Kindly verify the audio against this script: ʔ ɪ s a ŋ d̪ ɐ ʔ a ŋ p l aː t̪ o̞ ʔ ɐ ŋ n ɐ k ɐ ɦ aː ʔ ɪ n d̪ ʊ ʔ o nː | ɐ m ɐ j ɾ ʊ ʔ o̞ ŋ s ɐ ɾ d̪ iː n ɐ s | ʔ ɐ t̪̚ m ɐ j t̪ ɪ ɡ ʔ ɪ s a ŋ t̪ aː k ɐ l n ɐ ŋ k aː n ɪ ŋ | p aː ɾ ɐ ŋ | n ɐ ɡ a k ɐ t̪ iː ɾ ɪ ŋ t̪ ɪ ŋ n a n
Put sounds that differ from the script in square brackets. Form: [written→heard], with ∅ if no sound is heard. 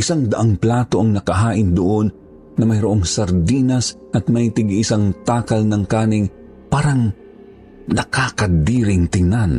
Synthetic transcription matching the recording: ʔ ɪ s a ŋ d̪ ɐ ʔ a ŋ p l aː t̪ o̞ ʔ ɐ ŋ n ɐ k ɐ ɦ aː ʔ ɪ n d̪ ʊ ʔ o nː | ɐ m ɐ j ɾ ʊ ʔ o̞ ŋ s ɐ ɾ d̪ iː n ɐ s | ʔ ɐ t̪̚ m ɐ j t̪ ɪ ɡ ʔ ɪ s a ŋ t̪ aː k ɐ l n ɐ ŋ k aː n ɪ ŋ | p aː ɾ ɐ ŋ | n ɐ [ɡ→k] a k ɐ [t̪→d̪] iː ɾ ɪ ŋ t̪ ɪ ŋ n a n